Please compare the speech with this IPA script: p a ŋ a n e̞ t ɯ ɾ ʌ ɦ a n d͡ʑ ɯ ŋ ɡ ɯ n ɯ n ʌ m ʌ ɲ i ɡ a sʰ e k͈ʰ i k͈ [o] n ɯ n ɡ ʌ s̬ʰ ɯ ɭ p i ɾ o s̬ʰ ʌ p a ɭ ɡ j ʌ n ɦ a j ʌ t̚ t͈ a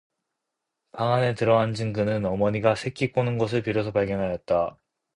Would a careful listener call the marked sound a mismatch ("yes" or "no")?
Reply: no